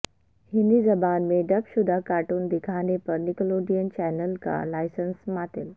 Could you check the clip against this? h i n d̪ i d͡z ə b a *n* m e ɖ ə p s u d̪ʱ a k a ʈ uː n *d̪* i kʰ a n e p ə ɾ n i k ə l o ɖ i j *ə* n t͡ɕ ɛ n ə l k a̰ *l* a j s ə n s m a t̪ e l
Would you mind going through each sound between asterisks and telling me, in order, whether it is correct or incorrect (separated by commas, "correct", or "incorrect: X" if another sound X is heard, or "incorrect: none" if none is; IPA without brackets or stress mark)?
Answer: correct, correct, correct, correct